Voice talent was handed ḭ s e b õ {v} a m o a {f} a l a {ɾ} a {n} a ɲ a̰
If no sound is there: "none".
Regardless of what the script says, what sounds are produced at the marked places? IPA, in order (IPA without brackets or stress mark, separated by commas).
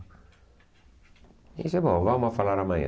v, f, ɾ, m